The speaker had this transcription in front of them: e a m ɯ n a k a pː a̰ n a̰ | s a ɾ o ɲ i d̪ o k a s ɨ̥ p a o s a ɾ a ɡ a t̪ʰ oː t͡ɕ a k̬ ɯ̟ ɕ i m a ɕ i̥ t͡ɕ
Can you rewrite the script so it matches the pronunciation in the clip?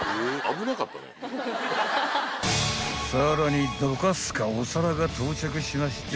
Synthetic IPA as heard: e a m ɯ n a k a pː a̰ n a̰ | s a ɾ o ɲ i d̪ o k a s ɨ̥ k a o s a ɾ a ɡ a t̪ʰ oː t͡ɕ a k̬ ɯ̟ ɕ i m a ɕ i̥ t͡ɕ